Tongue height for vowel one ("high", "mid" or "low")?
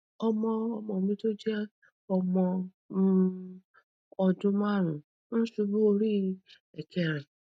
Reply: mid